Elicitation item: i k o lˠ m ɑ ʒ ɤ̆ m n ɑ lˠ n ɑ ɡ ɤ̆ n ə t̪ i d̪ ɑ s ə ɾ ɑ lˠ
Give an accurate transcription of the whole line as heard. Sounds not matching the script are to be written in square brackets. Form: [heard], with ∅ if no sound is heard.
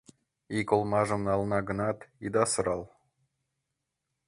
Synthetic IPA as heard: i k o lˠ m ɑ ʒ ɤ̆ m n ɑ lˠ n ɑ ɡ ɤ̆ n [ɑ] t̪ i d̪ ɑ s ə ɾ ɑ lˠ